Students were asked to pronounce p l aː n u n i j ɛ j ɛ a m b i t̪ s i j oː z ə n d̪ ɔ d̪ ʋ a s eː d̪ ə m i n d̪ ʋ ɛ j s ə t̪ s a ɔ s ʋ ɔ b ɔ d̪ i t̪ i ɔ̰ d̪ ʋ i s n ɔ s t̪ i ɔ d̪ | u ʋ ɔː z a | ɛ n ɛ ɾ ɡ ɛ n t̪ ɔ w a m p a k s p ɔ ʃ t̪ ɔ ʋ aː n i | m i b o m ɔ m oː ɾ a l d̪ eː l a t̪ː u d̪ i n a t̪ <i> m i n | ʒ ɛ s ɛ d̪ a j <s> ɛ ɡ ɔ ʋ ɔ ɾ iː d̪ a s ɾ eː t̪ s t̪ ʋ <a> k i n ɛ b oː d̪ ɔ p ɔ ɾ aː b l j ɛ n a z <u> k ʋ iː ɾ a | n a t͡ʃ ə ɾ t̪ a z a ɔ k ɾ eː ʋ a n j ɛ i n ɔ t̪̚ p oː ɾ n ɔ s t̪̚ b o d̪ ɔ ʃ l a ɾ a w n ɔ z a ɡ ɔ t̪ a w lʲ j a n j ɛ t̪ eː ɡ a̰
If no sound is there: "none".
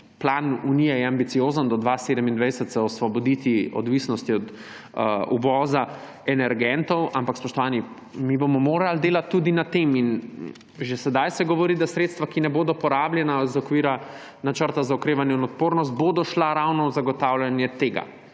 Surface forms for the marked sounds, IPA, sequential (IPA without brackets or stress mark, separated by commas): e, s, a, ɔ